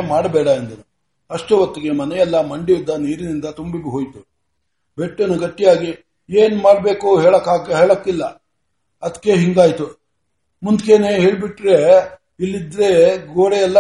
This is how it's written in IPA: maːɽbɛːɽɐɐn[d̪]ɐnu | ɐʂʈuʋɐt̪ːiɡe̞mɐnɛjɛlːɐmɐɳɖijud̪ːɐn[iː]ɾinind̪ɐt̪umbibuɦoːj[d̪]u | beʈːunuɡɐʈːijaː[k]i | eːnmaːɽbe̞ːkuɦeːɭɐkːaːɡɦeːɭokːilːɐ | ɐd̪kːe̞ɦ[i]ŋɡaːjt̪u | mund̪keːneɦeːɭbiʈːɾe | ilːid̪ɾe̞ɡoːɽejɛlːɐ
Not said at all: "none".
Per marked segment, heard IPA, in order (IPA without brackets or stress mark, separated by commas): d̪, iː, t̪, ɡ, i